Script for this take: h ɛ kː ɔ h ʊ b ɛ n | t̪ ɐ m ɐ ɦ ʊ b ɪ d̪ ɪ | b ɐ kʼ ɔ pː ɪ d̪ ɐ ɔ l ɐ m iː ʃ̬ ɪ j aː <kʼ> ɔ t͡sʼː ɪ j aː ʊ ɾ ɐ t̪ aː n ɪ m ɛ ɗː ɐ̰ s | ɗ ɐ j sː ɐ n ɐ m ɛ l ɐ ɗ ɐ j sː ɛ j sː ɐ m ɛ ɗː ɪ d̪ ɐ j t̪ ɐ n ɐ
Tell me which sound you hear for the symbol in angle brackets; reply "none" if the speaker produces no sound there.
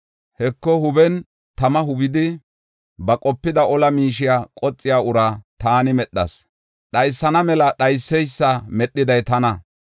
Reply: kʼ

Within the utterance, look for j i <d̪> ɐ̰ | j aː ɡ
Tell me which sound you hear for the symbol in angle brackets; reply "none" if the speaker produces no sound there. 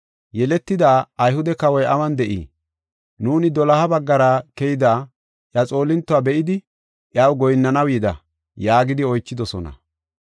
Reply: d̪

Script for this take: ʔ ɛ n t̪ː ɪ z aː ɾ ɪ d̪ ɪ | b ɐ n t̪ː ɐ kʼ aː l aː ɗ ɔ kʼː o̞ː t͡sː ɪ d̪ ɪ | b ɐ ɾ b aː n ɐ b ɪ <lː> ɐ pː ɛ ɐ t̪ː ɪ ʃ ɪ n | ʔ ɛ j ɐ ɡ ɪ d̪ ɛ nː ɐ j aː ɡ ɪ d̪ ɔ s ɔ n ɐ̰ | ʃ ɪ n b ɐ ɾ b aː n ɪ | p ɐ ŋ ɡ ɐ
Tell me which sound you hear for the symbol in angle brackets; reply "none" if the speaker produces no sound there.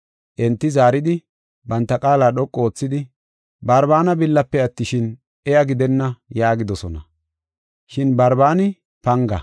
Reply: lː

